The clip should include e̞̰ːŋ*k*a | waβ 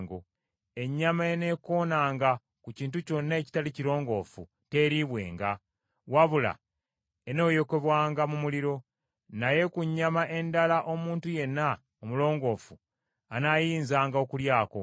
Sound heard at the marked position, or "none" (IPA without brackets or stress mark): ɡ